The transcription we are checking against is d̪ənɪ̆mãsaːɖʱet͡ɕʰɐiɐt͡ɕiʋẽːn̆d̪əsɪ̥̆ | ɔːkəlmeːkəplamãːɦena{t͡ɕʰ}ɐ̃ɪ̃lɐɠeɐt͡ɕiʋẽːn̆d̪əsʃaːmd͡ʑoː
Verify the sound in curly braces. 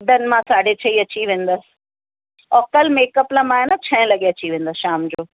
correct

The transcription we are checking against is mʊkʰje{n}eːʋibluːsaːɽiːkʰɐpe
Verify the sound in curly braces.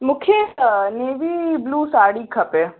correct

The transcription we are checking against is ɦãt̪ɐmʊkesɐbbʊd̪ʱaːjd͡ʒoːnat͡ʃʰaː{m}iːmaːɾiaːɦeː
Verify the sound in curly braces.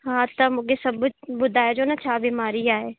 incorrect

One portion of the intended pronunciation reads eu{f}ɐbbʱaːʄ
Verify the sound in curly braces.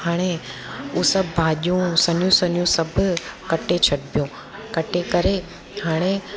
incorrect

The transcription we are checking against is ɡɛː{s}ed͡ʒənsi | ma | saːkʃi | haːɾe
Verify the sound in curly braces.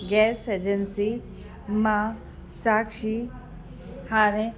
correct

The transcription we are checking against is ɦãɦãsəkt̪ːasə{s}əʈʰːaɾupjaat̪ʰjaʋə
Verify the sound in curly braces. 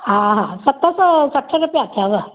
correct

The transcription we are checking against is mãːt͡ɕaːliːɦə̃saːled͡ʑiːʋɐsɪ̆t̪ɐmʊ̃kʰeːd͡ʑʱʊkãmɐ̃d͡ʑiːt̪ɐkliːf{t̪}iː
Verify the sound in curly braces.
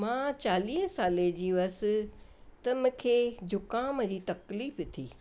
incorrect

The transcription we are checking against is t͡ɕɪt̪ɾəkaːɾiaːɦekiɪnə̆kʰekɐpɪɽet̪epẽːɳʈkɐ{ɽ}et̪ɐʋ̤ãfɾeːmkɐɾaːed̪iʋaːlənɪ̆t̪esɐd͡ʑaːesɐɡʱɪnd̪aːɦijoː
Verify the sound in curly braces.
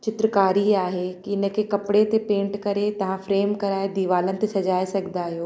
incorrect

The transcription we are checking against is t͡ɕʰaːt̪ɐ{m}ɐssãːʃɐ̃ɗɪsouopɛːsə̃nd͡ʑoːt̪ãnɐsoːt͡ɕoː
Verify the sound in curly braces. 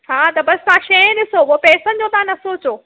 incorrect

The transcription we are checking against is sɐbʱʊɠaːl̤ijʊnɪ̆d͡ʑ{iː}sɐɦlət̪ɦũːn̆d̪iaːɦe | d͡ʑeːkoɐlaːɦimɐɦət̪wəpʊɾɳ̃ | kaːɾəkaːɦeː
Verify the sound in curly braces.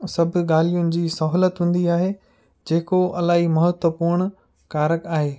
correct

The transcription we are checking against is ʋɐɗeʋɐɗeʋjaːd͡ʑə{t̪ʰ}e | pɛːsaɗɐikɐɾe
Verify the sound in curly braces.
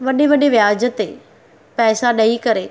incorrect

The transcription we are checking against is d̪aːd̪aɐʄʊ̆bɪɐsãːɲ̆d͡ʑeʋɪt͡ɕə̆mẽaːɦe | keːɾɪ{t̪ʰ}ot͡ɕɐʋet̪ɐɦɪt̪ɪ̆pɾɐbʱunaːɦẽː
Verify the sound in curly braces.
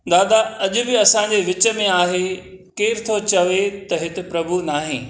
correct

